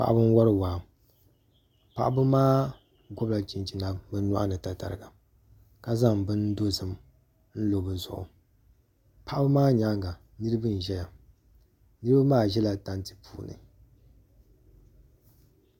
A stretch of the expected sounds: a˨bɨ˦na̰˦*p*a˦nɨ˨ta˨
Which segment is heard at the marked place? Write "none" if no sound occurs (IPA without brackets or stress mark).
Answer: ʔ